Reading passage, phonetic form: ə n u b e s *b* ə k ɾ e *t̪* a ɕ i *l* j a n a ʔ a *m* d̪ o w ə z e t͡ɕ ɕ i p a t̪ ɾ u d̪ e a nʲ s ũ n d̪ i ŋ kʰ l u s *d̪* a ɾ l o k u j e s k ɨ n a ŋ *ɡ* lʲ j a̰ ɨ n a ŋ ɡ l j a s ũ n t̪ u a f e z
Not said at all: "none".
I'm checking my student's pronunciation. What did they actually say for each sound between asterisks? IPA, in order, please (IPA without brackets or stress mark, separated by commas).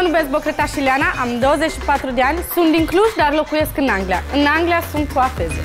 b, t̪, l, m, d̪, ɡ